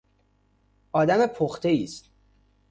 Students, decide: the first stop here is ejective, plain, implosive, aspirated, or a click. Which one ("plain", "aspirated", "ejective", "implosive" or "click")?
plain